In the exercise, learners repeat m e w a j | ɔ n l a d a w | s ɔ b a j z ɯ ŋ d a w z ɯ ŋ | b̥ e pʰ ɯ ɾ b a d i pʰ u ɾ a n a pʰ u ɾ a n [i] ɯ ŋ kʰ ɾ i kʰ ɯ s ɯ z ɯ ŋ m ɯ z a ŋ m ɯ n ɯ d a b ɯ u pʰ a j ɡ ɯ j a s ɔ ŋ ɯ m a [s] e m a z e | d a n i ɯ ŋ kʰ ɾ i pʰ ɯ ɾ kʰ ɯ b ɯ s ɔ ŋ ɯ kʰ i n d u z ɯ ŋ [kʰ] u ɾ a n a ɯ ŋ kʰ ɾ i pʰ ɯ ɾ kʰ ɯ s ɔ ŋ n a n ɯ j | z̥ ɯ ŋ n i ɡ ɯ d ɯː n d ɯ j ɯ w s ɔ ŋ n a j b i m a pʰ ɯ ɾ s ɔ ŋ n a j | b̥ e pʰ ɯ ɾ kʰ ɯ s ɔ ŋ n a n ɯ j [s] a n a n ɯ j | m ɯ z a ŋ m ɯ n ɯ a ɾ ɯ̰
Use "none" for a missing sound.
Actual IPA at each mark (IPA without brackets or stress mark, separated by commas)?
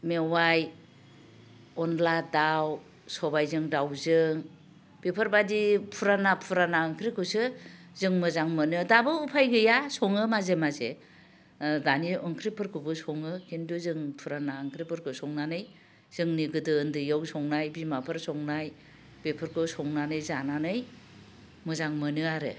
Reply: a, z, pʰ, z